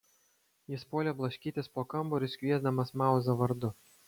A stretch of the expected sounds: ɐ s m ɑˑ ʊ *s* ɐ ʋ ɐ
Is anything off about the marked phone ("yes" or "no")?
yes